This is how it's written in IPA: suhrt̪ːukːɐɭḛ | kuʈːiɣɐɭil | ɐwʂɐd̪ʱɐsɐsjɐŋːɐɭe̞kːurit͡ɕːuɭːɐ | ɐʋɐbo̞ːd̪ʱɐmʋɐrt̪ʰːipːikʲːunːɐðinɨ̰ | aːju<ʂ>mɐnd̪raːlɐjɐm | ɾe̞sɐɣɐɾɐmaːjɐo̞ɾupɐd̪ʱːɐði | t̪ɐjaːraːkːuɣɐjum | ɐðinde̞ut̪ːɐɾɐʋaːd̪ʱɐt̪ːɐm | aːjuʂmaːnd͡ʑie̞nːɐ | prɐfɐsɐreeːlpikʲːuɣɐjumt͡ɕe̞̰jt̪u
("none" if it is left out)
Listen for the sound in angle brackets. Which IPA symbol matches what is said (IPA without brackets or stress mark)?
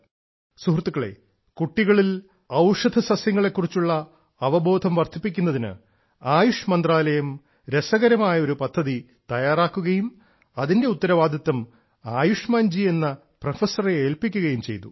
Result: ʂ